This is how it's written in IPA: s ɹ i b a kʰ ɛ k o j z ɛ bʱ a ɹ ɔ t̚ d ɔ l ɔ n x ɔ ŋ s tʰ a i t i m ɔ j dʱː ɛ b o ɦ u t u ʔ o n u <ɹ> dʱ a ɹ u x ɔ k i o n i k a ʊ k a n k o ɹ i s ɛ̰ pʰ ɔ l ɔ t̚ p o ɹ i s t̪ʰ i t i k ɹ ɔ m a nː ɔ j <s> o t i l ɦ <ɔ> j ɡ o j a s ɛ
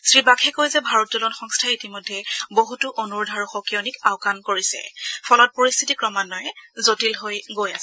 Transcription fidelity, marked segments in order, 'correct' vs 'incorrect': correct, incorrect, incorrect

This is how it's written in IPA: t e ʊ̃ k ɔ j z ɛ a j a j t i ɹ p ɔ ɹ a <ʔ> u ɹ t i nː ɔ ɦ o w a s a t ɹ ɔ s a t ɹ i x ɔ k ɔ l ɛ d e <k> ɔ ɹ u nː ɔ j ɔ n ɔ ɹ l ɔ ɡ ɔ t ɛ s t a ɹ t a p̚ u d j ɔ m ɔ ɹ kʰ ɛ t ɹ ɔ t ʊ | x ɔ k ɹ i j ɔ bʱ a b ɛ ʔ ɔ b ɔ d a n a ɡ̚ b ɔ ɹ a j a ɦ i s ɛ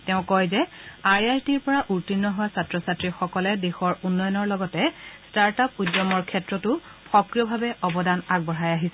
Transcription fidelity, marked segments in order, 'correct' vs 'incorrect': correct, incorrect

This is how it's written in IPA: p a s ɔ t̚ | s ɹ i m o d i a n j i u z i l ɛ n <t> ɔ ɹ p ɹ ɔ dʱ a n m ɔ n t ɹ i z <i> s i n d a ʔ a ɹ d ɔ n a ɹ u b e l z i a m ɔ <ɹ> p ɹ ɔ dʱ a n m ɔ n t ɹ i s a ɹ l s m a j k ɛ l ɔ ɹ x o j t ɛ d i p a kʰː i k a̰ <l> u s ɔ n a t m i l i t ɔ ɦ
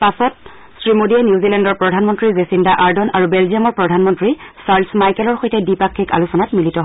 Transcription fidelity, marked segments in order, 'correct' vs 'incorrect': incorrect, incorrect, correct, correct

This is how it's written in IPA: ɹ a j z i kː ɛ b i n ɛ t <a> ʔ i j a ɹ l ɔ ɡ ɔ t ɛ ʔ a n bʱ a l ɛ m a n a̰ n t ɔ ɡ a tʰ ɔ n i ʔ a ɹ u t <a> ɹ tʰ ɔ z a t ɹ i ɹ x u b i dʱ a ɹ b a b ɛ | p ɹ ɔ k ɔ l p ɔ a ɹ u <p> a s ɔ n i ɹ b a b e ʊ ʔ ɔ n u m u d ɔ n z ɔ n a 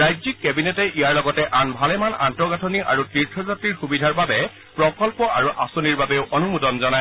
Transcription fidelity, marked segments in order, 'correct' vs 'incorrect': incorrect, incorrect, incorrect

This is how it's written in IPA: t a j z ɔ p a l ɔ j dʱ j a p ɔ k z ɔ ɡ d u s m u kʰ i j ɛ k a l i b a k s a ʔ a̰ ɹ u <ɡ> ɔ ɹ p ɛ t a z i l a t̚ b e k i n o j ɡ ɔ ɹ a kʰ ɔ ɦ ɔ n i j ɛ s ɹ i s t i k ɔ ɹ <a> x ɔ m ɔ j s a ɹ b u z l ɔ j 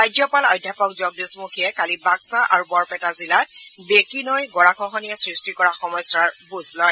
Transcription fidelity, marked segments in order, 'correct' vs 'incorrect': incorrect, correct

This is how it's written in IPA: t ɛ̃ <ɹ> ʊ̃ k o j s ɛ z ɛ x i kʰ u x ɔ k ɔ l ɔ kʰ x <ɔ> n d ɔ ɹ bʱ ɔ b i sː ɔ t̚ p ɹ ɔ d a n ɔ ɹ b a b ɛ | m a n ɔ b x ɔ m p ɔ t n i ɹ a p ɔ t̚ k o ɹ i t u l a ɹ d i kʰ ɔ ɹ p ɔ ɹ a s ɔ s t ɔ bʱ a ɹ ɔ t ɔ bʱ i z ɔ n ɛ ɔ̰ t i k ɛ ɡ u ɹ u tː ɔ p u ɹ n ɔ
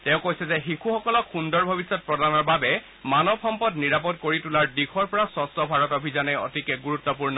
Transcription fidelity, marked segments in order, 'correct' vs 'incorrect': incorrect, incorrect

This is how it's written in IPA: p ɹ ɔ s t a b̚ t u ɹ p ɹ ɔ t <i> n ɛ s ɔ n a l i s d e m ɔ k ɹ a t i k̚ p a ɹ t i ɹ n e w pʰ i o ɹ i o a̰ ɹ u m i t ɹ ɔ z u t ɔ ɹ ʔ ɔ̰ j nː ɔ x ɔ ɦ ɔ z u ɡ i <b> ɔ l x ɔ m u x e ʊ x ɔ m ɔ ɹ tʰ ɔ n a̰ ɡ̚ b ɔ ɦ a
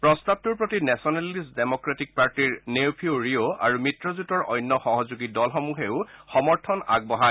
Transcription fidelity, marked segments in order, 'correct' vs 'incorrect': correct, incorrect

